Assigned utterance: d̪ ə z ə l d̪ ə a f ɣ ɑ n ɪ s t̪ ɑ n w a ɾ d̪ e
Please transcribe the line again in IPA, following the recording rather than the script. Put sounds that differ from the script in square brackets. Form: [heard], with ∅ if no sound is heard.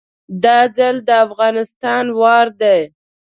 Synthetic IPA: d̪ [ɑ] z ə l d̪ ə a f ɣ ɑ n ɪ s t̪ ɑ n w [ɑ] ɾ d̪ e